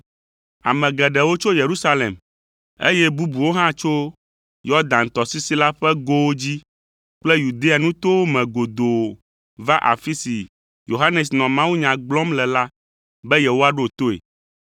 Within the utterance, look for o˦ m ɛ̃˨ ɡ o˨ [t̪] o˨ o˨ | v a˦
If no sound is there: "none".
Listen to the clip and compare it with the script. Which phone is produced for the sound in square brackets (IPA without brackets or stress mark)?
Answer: d̪